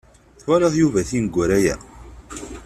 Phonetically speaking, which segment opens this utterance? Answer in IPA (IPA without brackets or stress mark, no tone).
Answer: θ